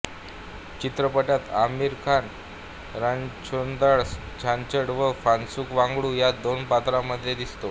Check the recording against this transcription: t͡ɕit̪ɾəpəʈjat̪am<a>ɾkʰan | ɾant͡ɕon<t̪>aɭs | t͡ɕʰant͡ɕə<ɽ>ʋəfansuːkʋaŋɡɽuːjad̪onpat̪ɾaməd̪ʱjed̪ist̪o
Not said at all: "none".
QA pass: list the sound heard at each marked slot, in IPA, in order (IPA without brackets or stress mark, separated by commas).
i, d̪, ɽ